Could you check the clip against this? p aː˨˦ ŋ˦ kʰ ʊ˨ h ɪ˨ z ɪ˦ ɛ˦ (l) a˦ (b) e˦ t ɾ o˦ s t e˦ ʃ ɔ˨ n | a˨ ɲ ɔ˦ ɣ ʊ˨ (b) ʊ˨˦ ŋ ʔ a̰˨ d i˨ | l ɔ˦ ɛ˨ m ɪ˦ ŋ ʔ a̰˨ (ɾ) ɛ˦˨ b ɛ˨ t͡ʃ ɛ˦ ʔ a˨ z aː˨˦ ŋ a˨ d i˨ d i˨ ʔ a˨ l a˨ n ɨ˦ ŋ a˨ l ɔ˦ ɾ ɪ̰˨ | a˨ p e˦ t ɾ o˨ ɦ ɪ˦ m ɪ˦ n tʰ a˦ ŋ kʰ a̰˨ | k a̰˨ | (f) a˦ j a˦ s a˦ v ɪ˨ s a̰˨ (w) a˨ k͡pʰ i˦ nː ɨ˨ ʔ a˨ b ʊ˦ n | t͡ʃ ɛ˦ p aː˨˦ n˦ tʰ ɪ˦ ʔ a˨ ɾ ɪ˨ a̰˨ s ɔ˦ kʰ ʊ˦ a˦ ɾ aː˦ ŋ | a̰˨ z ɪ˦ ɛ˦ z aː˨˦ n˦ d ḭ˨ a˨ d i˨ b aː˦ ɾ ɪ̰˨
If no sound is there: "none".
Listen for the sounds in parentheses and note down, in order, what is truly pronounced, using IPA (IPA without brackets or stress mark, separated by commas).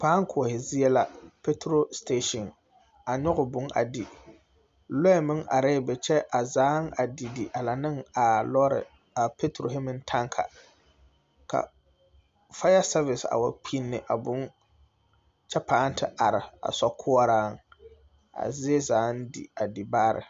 l, p, b, ɾ, f, w